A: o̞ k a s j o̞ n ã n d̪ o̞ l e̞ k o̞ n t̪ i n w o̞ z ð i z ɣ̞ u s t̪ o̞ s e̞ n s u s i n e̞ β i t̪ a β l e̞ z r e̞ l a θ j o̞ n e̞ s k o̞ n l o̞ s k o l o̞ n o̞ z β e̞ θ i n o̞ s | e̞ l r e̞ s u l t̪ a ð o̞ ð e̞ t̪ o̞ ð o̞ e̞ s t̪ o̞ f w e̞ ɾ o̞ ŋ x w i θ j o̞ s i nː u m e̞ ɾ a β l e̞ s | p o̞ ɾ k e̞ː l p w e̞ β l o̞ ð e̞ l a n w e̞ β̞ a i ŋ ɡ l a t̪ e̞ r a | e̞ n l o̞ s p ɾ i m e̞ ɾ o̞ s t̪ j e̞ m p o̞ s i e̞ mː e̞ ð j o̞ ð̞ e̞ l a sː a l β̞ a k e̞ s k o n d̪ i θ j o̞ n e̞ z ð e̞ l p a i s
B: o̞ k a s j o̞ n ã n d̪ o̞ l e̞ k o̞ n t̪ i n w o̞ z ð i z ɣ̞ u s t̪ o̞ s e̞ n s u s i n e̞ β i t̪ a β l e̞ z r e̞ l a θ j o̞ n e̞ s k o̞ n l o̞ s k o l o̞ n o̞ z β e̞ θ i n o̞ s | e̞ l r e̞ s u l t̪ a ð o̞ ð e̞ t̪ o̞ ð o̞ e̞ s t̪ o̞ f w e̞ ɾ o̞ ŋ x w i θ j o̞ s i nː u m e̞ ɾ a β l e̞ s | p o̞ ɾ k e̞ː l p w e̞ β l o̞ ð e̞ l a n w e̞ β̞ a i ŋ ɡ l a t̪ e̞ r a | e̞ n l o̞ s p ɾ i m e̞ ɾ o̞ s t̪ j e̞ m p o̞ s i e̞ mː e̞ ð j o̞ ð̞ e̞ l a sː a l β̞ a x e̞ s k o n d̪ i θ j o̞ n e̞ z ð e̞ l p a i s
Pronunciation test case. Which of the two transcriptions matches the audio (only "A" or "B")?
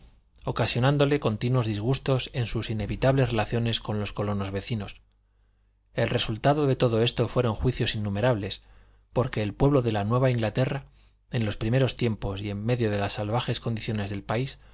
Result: B